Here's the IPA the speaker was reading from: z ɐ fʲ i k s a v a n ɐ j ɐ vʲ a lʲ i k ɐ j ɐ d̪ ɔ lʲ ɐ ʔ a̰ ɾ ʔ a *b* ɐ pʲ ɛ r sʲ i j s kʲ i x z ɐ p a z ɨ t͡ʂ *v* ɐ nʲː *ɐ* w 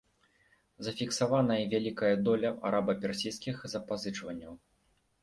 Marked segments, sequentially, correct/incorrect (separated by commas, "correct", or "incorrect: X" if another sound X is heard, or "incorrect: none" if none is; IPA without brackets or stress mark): correct, correct, correct